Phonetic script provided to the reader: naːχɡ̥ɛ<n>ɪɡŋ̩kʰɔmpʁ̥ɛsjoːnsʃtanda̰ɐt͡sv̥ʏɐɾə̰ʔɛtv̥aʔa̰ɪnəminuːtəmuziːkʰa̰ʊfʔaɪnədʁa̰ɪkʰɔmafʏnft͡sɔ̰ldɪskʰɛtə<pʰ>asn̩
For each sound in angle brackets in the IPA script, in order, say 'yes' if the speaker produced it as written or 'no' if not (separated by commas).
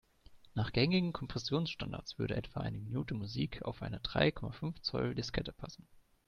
no, yes